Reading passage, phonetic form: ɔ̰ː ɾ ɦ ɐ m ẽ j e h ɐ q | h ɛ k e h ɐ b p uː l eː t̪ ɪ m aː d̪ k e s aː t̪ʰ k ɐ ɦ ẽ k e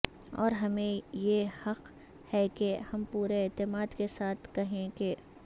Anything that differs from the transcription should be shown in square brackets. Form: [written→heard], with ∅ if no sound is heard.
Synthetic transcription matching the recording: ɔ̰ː ɾ ɦ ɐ m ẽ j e h ɐ q | h ɛ k e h ɐ [b→m] p uː [l→ɾ] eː t̪ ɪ m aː d̪ k e s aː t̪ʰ k ɐ ɦ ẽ k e